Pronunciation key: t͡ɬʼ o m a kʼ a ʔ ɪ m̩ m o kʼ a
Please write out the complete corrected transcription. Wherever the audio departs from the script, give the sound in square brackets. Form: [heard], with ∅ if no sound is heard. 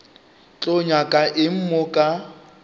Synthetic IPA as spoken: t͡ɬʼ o [ɲ] a kʼ a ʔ ɪ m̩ m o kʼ a